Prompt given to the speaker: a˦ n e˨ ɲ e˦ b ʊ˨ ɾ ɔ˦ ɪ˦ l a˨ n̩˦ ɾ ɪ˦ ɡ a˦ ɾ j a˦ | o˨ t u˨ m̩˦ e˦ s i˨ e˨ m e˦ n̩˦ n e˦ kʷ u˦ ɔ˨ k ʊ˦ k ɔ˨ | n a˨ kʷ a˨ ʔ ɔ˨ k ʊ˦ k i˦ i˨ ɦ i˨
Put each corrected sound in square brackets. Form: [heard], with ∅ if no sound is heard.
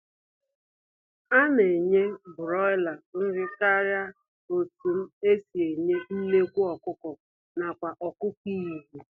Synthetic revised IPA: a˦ n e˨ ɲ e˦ b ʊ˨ ɾ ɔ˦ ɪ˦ l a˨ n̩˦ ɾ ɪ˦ [k] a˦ ɾ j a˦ | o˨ t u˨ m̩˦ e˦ s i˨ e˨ [ɲ] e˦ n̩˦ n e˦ kʷ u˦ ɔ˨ k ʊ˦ k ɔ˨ | n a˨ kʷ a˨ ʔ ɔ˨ k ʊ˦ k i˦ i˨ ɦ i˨